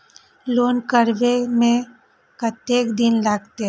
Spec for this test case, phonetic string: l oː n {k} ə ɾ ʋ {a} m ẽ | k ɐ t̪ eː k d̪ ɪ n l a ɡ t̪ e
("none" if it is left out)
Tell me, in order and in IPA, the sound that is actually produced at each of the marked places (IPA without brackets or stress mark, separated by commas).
k, e